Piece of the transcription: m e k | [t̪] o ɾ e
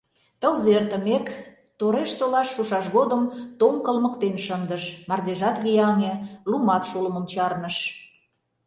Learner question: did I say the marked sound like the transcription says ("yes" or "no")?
yes